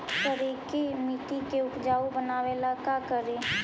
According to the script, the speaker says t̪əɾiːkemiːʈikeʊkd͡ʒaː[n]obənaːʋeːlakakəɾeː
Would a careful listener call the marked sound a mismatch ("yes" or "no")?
yes